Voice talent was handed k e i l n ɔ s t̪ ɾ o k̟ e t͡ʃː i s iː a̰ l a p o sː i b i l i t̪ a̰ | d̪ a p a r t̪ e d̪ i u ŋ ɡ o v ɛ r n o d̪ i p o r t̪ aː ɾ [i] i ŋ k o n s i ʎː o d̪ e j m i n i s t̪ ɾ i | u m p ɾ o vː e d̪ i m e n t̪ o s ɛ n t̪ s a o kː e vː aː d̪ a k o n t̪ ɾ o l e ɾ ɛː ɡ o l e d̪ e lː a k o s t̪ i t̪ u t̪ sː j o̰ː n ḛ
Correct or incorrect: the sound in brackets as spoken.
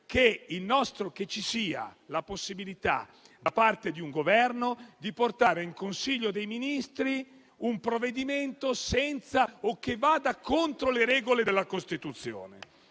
incorrect: e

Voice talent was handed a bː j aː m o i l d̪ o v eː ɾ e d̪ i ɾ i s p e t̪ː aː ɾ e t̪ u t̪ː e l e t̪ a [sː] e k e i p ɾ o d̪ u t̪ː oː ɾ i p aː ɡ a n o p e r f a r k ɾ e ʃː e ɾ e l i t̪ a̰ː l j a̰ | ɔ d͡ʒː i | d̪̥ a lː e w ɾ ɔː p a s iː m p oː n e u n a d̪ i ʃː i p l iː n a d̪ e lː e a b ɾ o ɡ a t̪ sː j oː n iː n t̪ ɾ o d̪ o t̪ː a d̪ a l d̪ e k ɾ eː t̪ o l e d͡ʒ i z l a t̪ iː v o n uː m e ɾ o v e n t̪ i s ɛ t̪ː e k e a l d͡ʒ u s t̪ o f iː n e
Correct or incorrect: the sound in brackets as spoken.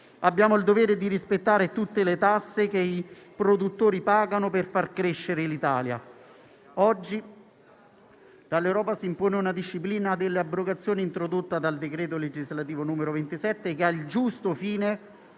correct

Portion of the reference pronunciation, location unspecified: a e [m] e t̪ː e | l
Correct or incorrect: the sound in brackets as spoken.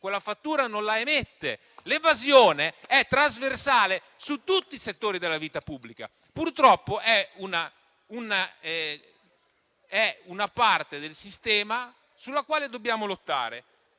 correct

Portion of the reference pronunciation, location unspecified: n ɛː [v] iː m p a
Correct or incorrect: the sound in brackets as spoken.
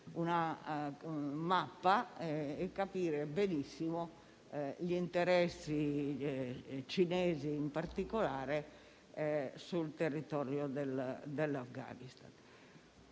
incorrect: z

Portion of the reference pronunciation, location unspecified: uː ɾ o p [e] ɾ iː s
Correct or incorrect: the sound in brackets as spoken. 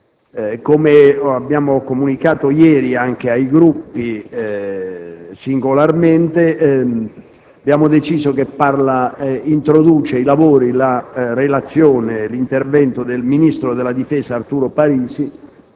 incorrect: a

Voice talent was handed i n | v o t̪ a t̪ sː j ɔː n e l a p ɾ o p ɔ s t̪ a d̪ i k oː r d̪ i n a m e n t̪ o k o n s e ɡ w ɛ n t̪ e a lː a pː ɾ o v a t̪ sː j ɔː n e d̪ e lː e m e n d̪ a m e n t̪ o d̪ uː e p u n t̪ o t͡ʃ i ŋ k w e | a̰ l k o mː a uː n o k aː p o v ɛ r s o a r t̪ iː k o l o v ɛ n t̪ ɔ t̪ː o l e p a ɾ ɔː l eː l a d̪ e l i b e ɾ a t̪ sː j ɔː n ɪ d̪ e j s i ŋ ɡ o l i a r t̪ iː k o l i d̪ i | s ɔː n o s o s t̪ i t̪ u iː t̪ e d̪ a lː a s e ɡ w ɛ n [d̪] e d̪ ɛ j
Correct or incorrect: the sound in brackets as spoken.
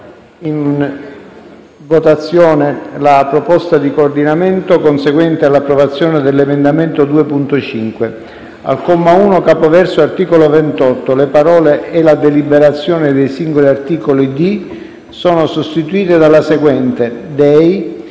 incorrect: t̪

